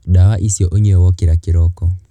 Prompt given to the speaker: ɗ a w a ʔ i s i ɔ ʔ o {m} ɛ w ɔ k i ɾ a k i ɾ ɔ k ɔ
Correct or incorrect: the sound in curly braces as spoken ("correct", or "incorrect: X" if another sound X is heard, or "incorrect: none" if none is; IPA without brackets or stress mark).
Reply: incorrect: ɲ